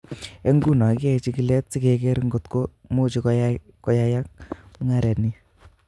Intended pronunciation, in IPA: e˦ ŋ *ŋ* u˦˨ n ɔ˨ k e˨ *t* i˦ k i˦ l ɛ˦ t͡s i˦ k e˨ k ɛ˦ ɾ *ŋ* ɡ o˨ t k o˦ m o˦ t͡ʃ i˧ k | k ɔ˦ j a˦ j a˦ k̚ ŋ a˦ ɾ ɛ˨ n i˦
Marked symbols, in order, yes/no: no, no, yes

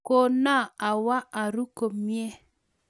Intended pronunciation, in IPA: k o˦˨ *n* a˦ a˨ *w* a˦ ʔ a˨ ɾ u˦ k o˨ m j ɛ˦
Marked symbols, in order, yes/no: yes, yes

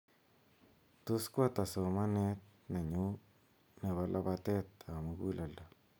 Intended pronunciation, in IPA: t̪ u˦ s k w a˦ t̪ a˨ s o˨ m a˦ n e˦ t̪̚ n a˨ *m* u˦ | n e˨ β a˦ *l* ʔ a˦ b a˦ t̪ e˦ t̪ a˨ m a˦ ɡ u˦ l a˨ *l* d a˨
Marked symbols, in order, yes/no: no, yes, yes

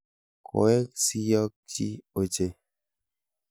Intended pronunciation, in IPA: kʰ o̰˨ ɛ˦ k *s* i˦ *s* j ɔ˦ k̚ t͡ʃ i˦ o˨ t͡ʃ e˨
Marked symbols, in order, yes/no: yes, no

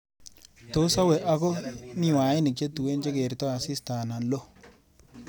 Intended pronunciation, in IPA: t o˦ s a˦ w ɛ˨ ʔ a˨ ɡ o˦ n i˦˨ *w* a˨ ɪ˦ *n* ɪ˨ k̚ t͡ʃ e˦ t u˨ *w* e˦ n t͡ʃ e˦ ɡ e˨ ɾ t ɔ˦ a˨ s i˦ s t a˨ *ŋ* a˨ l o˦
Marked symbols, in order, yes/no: yes, yes, yes, no

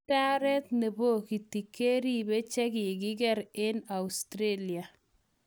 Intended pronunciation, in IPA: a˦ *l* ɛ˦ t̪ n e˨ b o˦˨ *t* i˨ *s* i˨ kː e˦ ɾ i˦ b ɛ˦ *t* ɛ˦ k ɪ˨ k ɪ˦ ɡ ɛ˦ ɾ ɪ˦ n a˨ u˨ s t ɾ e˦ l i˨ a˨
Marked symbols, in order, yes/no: no, no, no, no

